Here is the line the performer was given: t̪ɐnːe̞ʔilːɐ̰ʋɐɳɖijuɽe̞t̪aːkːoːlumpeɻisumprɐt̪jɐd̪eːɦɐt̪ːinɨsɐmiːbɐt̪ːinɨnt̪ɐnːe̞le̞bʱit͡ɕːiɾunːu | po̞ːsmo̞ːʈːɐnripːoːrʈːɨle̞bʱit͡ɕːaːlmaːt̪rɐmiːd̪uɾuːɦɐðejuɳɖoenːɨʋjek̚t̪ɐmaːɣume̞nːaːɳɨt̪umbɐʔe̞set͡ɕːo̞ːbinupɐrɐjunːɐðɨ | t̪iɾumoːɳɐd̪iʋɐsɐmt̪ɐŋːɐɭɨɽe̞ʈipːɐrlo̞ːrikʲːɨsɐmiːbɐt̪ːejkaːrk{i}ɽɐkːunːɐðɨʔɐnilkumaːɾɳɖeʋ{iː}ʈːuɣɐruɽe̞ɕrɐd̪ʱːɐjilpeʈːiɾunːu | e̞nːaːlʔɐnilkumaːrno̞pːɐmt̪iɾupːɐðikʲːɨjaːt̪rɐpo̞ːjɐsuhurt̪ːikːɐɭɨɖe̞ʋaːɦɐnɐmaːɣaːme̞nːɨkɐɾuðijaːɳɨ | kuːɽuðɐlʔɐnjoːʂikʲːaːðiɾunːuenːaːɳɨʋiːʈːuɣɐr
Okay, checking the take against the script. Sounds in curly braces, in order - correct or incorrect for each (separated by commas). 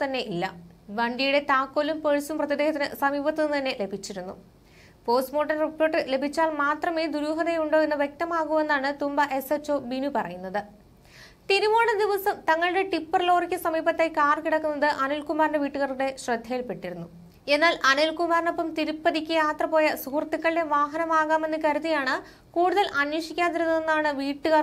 correct, correct